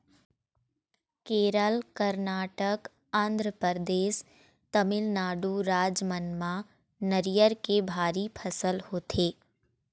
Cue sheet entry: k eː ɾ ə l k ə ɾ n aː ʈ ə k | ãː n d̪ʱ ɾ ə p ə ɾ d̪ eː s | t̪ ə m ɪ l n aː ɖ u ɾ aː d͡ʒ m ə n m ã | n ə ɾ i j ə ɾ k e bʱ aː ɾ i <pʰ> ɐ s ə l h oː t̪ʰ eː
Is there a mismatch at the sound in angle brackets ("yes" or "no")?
no